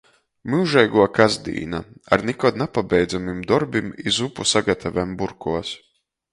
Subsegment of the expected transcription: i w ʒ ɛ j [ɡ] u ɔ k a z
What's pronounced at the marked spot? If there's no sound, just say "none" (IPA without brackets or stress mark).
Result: ɡ